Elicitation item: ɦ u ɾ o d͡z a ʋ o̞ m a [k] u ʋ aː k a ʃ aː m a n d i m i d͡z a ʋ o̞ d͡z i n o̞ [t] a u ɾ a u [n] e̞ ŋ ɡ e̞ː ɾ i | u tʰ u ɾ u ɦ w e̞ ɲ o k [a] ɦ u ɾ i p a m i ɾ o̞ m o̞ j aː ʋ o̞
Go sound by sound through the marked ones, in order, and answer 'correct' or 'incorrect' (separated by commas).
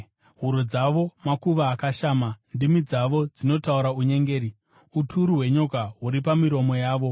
correct, correct, incorrect, correct